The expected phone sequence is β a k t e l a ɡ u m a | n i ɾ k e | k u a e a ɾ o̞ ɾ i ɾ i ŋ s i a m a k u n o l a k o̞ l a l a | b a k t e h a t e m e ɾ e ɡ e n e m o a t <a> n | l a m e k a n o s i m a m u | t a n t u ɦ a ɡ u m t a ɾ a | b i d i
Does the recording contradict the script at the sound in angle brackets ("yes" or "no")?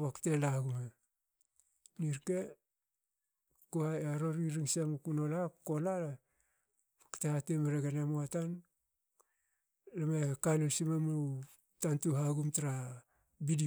no